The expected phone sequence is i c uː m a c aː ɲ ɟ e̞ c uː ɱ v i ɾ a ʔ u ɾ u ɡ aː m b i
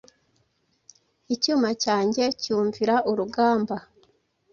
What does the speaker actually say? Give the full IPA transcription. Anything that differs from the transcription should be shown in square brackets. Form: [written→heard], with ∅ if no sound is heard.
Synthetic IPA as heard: i c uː m a c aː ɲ ɟ e̞ c uː ɱ v i ɾ a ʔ u ɾ u ɡ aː m b [i→a]

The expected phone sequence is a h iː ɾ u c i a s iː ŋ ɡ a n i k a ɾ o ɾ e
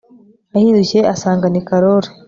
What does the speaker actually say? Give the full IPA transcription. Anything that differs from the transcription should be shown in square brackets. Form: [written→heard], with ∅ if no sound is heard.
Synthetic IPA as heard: a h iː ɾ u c [i→e] a s [iː→aː] ŋ ɡ a n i k a ɾ o ɾ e

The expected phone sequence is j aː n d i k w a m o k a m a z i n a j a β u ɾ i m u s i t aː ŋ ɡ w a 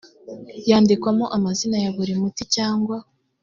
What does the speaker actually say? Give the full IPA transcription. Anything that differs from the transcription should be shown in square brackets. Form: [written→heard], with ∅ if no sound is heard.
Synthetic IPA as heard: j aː n d i k w a m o [k→ʔ] a m a z i n a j a β u ɾ i m u [s→t] i [t→c] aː ŋ ɡ w a

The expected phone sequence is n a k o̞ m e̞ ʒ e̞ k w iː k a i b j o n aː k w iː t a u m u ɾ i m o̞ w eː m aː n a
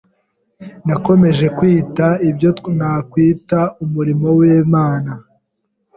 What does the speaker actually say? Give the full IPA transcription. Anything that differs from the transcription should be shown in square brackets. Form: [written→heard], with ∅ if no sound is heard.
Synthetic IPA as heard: n a k o̞ m e̞ ʒ e̞ k w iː [k→t] a i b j o n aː k w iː t a u m u ɾ i m o̞ w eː m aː n a

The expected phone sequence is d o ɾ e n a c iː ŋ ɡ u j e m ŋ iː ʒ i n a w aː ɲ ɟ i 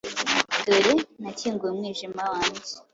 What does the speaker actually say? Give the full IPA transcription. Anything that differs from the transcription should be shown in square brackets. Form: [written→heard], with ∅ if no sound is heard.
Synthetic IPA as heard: d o ɾ e n a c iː ŋ ɡ u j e m ŋ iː ʒ i [n→m] a w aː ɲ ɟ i

